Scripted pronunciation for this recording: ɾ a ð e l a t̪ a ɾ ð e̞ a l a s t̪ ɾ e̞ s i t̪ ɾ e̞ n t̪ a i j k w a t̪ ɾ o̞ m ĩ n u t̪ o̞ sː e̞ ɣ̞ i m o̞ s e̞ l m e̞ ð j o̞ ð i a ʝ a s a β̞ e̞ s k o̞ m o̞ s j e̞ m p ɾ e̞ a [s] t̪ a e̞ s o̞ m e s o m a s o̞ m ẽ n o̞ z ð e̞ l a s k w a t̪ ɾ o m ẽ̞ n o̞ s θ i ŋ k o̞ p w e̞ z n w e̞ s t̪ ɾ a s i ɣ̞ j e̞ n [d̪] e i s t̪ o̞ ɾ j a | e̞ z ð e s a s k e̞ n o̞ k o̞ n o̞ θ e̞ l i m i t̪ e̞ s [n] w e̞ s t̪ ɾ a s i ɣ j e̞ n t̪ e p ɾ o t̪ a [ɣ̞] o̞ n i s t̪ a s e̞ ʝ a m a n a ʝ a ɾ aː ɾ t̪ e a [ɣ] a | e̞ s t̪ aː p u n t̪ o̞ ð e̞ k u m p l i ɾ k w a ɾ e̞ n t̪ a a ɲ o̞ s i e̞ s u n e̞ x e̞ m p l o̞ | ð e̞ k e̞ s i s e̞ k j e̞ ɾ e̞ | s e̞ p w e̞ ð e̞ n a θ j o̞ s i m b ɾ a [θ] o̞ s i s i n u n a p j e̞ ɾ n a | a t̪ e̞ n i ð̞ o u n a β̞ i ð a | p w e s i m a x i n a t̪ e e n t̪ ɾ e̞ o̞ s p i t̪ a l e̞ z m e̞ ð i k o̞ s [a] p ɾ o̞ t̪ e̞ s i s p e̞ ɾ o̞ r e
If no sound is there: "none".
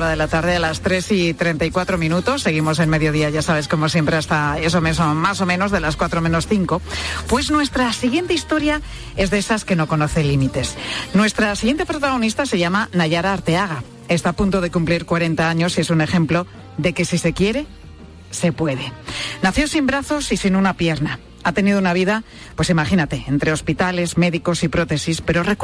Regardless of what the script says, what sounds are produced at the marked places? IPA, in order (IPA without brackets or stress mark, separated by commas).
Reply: s, t̪, n, ɣ̞, ɣ, θ, i